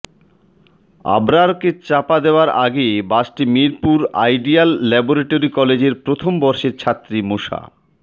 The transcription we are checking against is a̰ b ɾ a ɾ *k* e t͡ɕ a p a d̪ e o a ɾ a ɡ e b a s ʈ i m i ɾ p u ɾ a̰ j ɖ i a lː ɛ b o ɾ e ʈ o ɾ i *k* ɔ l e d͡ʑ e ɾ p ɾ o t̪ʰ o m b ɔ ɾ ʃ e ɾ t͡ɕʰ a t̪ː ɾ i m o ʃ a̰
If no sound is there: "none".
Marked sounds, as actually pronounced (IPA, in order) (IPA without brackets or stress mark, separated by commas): k, k